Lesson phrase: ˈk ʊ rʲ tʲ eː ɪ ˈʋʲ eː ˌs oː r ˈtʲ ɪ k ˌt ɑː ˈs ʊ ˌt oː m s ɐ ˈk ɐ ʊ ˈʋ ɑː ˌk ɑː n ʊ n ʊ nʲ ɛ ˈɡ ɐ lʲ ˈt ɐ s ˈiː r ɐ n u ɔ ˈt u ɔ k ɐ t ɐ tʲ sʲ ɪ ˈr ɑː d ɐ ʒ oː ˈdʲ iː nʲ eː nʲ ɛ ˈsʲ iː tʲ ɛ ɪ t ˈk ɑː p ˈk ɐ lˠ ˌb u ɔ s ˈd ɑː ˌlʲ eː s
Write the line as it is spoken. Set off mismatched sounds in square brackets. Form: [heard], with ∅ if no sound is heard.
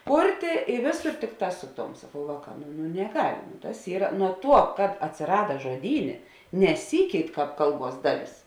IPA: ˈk ʊ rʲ tʲ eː ɪ ˈʋʲ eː ˌs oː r ˈtʲ ɪ k ˌt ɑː ˈs ʊ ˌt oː m s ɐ ˈk ɐ ʊ ˈʋ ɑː ˌk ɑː n ʊ n ʊ nʲ ɛ ˈɡ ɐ lʲ ˈt ɐ s ˈiː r ɐ n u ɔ ˈt u ɔ k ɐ t ɐ tʲ sʲ ɪ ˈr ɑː d ɐ ʒ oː ˈdʲ iː nʲ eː nʲ ɛ ˈsʲ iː [kʲ] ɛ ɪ t ˈk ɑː p ˈk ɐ lˠ ˌb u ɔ s ˈd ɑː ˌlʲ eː s